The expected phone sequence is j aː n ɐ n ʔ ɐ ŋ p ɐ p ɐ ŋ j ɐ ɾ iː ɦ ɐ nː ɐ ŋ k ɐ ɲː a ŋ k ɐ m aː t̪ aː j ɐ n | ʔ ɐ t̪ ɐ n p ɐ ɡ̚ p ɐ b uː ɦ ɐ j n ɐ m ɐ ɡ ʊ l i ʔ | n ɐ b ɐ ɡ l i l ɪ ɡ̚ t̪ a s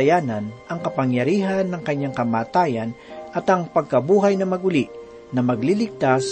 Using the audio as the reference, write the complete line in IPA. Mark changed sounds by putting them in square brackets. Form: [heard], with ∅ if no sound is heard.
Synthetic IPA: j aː n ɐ n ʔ ɐ ŋ [k] ɐ p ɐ ŋ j ɐ ɾ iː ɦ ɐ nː ɐ ŋ k ɐ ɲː a ŋ k ɐ m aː t̪ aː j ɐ n | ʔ ɐ t̪ ɐ [ŋ] p ɐ ɡ̚ [k] ɐ b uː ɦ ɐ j n ɐ m ɐ ɡ ʊ l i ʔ | n ɐ [m] ɐ ɡ l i l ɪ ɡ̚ t̪ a s